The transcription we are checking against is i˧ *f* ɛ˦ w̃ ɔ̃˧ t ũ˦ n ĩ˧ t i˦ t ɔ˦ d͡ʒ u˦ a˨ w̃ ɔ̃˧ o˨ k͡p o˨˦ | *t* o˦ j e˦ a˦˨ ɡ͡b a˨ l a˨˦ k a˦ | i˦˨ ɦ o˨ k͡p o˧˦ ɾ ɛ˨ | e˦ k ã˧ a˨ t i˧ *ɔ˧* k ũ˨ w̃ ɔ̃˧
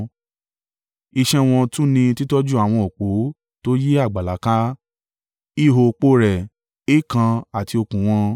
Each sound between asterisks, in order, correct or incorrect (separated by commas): incorrect, correct, incorrect